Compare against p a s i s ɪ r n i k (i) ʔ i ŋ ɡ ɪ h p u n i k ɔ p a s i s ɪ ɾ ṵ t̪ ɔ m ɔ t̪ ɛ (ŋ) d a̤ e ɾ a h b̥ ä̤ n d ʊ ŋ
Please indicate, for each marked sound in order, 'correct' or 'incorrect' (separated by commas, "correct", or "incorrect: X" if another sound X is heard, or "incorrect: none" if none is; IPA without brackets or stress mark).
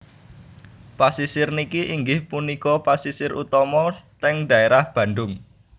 correct, correct